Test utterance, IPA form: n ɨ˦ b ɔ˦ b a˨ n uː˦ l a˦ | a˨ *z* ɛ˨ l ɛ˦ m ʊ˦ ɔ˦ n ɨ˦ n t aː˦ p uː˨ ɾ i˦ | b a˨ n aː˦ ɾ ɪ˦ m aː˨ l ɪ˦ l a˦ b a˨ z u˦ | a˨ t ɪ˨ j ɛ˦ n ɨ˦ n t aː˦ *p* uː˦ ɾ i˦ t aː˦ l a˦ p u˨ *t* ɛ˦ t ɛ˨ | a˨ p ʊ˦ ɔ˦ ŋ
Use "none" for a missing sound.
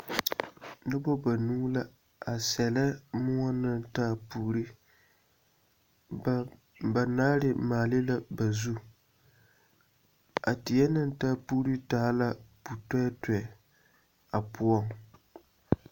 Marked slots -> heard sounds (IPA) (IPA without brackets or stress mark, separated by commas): s, p, t